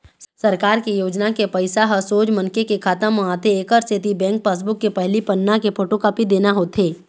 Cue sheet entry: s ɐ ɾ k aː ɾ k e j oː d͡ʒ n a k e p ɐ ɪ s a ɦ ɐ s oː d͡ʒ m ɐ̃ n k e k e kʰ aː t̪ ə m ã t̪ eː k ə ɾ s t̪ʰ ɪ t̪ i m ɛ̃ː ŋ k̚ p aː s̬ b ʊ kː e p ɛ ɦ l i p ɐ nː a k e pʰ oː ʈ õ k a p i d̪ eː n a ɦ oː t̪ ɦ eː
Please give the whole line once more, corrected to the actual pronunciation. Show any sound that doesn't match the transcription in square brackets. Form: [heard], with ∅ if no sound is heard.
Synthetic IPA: s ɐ ɾ k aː ɾ k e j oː d͡ʒ n a k e p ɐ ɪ s a ɦ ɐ s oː d͡ʒ m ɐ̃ n k e k e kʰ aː t̪ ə m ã t̪ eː k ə ɾ s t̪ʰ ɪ t̪ i [b] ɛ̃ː ŋ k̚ p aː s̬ b ʊ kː e p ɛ ɦ l i p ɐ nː a k e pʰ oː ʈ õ k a p i d̪ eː n a ɦ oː t̪ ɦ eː